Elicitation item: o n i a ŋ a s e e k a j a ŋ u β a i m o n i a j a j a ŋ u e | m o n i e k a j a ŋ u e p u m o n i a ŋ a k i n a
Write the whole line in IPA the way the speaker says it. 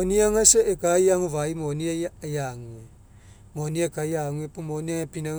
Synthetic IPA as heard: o n i a ŋ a s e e k a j a ŋ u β a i m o n i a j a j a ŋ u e | m o n i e k a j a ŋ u e p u m o n i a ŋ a p i n a